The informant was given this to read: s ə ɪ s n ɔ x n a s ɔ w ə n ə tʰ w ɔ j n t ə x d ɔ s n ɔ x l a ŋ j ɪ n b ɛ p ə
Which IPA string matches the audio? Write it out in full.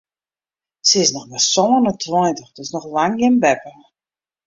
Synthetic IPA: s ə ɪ s n ɔ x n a s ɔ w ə n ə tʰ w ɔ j n t ə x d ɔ s n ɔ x l a ŋ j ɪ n b ɛ p ə